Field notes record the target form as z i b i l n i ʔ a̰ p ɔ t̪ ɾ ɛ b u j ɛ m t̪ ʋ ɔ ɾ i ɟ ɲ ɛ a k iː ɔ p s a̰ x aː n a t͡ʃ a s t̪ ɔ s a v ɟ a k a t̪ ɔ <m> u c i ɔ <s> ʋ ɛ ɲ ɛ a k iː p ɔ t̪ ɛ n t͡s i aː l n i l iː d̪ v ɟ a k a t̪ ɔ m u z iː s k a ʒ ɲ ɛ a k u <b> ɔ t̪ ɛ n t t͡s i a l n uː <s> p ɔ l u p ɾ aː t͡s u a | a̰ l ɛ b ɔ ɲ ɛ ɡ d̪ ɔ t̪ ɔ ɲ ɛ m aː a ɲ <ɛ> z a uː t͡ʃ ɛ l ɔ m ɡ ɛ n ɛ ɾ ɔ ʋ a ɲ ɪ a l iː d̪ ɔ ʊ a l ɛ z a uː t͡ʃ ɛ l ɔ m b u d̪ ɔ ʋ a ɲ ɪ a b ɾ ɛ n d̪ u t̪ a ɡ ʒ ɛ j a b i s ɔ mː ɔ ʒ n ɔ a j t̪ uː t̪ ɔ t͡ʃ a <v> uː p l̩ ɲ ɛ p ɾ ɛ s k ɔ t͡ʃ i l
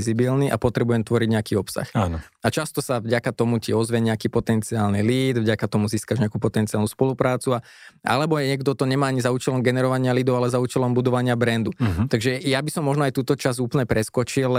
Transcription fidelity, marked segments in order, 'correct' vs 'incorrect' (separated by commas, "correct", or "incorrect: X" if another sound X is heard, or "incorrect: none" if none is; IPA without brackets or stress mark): correct, incorrect: z, incorrect: p, correct, incorrect: i, incorrect: z